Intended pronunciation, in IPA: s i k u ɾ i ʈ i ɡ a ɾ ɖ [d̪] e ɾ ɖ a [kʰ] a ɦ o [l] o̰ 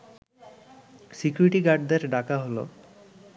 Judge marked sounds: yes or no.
yes, no, yes

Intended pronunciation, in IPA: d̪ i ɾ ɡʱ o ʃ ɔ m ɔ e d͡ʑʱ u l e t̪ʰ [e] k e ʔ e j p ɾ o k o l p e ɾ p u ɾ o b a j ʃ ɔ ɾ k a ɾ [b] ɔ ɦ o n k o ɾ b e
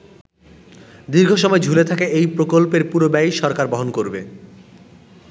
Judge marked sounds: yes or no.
no, yes

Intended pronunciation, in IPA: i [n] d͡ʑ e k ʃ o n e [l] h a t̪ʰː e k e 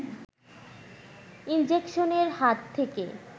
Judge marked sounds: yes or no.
yes, no

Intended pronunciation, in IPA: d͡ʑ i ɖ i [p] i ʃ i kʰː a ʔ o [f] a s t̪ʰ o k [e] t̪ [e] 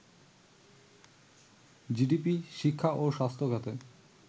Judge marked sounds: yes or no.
yes, no, no, yes

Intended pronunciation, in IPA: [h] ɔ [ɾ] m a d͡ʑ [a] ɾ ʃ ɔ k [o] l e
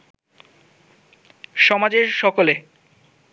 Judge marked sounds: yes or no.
no, no, no, yes

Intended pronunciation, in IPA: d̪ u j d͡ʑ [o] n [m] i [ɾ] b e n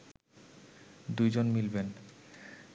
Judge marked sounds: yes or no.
yes, yes, no

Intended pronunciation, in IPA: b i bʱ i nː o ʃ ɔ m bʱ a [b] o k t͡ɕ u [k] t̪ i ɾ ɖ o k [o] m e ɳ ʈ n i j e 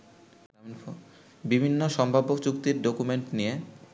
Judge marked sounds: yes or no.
yes, yes, no

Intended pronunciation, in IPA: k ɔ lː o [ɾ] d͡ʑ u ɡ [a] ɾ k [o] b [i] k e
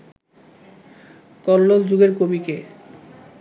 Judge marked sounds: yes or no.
no, no, yes, yes

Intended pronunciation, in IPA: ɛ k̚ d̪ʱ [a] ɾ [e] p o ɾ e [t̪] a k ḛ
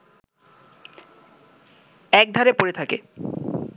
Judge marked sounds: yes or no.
yes, yes, no

